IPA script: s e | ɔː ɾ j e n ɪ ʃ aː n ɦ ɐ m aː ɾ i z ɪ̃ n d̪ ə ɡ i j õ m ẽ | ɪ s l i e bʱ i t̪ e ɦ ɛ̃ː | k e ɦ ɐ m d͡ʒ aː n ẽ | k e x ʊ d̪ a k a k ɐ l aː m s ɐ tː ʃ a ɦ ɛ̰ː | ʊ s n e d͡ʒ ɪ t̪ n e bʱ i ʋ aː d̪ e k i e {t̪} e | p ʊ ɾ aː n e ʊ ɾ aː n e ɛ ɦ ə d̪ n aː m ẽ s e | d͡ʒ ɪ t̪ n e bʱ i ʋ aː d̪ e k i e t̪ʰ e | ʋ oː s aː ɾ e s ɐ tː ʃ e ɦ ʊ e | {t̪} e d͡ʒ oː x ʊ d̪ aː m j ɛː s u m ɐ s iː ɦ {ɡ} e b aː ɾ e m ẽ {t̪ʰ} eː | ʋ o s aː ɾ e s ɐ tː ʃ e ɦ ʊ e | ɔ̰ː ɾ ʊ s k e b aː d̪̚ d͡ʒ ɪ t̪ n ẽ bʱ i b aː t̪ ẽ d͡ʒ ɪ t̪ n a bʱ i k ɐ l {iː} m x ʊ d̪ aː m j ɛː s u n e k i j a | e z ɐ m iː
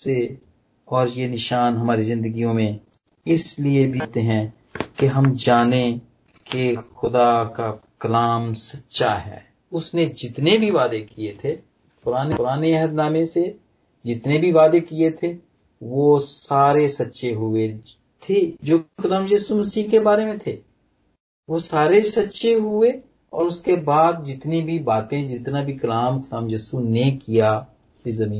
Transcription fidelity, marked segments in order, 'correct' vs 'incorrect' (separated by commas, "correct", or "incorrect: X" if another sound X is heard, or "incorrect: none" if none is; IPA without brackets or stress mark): incorrect: t̪ʰ, incorrect: t̪ʰ, incorrect: k, correct, incorrect: aː